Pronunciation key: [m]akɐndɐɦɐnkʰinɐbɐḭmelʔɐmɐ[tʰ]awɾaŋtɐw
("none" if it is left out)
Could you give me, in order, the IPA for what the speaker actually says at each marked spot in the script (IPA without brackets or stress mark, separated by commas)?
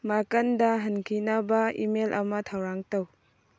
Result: m, tʰ